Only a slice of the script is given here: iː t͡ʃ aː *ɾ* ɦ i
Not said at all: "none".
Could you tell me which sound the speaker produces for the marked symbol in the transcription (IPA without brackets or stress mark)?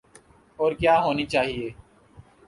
none